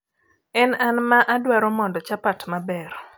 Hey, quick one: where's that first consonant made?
tongue tip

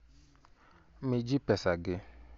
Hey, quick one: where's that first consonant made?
lips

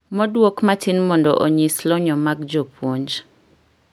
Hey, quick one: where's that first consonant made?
lips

